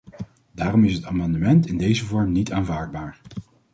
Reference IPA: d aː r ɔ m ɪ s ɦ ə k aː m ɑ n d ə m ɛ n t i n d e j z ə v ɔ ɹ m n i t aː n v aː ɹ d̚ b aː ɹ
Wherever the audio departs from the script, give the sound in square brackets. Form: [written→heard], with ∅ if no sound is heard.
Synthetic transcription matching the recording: d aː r ɔ m ɪ s ɦ ə [k→t] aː m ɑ n d ə m ɛ n t [i→ɪ] n d e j z ə v ɔ ɹ m n i t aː n v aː ɹ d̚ b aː ɹ